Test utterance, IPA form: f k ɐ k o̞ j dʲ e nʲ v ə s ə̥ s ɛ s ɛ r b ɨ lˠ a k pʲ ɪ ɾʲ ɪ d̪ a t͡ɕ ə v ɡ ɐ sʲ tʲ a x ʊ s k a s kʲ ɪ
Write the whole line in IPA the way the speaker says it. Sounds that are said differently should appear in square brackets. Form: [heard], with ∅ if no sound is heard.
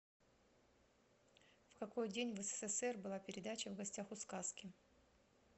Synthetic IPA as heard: f k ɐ k o̞ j dʲ e nʲ v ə s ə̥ s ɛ s ɛ r b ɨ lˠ a [∅] pʲ ɪ ɾʲ ɪ d̪ a t͡ɕ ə v ɡ ɐ sʲ tʲ a x ʊ s k a s kʲ ɪ